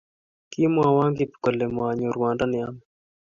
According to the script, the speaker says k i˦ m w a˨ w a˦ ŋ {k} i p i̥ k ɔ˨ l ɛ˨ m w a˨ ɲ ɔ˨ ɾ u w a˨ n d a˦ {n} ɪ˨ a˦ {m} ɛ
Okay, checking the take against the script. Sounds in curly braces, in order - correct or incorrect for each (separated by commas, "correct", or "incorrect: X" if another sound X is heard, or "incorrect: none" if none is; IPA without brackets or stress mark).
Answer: incorrect: ɡ, correct, correct